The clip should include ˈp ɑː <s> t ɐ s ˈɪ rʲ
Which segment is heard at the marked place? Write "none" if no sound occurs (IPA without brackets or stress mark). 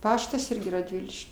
ʃ